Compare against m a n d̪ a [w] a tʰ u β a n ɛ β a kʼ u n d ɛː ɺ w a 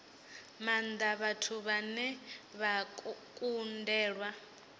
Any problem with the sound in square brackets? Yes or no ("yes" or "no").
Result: yes